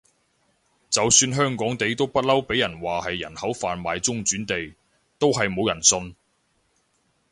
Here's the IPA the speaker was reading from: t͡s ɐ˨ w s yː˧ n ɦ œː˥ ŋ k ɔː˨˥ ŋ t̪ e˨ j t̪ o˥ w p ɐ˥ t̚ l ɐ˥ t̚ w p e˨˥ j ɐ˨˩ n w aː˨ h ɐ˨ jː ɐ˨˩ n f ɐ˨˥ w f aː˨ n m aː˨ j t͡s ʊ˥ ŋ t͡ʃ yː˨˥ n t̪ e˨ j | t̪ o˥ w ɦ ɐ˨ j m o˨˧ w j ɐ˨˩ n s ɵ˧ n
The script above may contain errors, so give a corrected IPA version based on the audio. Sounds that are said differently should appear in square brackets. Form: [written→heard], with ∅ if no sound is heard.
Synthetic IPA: t͡s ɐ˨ w s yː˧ n ɦ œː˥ ŋ k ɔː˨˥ ŋ t̪ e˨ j t̪ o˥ w p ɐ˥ t̚ l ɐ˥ [t̚→∅] w p e˨˥ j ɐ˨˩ n w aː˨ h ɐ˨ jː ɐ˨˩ n [f→h] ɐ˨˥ w f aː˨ n m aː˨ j t͡s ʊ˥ ŋ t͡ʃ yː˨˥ n t̪ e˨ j | t̪ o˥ w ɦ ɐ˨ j m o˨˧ w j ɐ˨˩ n s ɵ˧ n